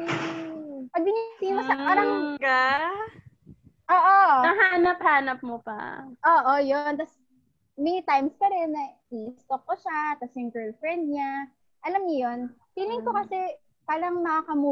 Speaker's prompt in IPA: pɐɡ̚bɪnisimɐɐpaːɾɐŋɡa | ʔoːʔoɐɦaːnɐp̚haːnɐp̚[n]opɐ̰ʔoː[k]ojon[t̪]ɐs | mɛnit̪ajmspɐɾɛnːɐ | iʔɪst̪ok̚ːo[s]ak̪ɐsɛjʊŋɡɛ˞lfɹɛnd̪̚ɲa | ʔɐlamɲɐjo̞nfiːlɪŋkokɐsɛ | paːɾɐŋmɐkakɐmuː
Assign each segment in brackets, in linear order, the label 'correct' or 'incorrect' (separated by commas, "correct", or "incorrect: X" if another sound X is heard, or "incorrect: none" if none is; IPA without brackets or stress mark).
incorrect: m, incorrect: ʔ, correct, incorrect: ʃ